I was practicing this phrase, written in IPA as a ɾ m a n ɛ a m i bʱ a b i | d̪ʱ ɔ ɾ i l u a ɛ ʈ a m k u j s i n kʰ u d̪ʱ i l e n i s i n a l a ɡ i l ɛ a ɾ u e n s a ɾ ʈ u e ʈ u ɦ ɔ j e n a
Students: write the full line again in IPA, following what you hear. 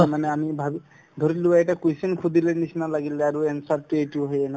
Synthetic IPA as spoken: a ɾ m a n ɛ a m i bʱ a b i | d̪ʱ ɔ ɾ i l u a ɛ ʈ a k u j s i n kʰ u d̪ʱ i l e n i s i n a l a ɡ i l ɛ a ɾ u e n s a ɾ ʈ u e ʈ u ɦ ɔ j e n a